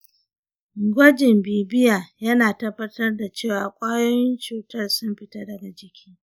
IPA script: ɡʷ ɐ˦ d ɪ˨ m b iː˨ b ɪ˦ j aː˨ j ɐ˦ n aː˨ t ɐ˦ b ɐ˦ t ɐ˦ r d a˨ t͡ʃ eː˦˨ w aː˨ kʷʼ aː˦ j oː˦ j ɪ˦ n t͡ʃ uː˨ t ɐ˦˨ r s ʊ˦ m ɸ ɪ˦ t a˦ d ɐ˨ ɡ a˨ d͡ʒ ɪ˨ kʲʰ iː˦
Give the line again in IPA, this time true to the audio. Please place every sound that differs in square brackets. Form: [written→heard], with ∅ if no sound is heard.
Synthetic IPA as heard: ɡʷ ɐ˦ [d→d͡ʒ] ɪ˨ m b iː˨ b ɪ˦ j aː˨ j ɐ˦ n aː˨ t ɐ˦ b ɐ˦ t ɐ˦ r d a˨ t͡ʃ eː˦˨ w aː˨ kʷʼ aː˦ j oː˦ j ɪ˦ n t͡ʃ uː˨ t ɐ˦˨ r s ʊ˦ m ɸ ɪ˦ t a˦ d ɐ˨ ɡ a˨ d͡ʒ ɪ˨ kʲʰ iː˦